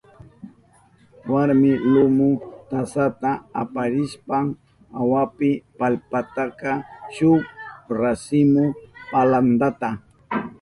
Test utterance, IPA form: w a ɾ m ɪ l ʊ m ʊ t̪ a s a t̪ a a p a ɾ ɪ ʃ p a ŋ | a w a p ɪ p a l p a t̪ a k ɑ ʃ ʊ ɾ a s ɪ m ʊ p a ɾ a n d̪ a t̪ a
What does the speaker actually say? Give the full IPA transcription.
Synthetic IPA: w a ɾ m ɪ l ʊ m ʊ t̪ a s a t̪ a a p a ɾ ɪ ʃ p a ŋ | a w a p ɪ p a l p a t̪ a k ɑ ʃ ʊ ɾ a s ɪ m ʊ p a l a n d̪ a t̪ a